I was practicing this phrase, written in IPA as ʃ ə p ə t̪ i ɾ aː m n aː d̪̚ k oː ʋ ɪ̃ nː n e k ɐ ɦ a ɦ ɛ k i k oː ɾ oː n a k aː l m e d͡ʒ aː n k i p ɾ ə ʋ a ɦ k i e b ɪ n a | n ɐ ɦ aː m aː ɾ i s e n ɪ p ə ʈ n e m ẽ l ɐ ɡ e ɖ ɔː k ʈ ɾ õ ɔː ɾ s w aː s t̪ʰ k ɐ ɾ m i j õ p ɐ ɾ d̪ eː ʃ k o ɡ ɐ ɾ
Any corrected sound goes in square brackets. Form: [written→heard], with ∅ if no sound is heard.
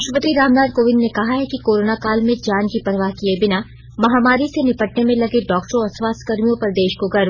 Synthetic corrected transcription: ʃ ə p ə t̪ i ɾ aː m n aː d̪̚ k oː ʋ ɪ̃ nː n e k ɐ ɦ a ɦ ɛ k i k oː ɾ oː n a k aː l m [e→ẽ] d͡ʒ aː n k i p ɾ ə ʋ a ɦ k i e b ɪ n a | [n→m] ɐ ɦ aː m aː ɾ i s e n ɪ p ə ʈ n e m ẽ l ɐ ɡ e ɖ ɔː k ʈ ɾ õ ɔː ɾ s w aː s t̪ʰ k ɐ ɾ m i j õ p ɐ ɾ d̪ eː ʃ k o ɡ ɐ ɾ